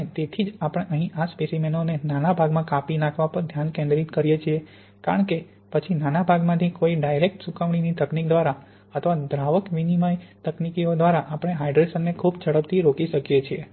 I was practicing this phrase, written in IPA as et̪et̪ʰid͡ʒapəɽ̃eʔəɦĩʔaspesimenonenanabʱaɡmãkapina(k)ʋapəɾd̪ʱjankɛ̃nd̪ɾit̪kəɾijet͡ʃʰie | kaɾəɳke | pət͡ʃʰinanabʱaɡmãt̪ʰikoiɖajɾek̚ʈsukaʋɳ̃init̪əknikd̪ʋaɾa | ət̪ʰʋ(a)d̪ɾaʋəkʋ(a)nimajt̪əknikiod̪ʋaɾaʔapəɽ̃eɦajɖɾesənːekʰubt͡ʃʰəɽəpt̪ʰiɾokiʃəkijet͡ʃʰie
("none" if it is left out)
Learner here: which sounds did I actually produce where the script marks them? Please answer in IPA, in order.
kʰ, a, i

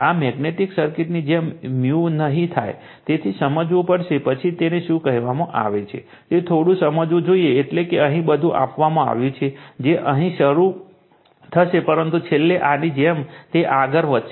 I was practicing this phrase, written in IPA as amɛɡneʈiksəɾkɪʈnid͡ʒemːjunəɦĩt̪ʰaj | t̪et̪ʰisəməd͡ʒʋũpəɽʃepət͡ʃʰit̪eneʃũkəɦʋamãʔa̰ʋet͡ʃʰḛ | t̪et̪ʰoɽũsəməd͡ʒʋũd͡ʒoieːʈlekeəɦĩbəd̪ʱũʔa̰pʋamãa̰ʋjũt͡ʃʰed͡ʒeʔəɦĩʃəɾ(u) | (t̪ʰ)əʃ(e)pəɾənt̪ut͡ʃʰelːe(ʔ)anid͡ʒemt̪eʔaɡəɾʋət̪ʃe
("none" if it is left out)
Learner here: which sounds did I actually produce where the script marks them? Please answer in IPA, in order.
u, t̪ʰ, e, ʔ

